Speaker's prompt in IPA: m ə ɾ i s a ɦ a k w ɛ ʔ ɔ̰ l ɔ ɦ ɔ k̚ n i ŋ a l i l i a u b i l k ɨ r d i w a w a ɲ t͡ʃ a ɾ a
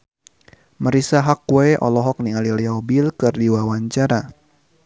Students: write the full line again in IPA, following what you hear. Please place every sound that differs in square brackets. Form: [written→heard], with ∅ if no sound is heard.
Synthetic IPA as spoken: m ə ɾ i s a ɦ a k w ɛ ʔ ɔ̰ l ɔ ɦ ɔ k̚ n i ŋ a l i l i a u b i l k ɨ r d i w a w a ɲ t͡ʃ a ɾ a